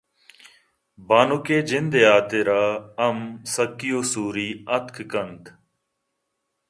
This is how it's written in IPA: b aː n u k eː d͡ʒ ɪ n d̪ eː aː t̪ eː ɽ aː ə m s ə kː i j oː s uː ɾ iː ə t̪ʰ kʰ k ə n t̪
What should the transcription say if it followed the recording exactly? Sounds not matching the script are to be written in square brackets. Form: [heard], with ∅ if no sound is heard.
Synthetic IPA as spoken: b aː n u k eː d͡ʒ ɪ n d̪ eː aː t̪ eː [ɾ] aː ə m s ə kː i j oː s uː ɾ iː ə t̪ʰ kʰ k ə n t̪